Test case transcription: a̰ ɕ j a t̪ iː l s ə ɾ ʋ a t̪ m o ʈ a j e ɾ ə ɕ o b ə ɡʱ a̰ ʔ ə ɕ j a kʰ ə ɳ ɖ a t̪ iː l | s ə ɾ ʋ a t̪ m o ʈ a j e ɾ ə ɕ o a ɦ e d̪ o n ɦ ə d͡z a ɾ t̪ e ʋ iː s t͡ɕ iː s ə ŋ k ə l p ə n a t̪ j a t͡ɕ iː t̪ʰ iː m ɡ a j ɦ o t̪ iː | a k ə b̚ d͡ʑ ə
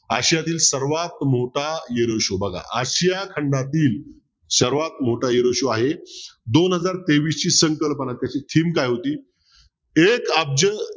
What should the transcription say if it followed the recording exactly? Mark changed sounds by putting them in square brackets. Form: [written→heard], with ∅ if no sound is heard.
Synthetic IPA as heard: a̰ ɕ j a t̪ iː l s ə ɾ ʋ a t̪ m o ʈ a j e ɾ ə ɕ o b ə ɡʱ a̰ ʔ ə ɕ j a kʰ ə ɳ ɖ a t̪ iː l | s ə ɾ ʋ a t̪ m o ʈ a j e ɾ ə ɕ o a ɦ e d̪ o n ɦ ə d͡z a ɾ t̪ e ʋ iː s t͡ɕ iː s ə ŋ k ə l p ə n a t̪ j a t͡ɕ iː t̪ʰ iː m [ɡ→k] a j ɦ o t̪ iː | [a→e] k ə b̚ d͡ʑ ə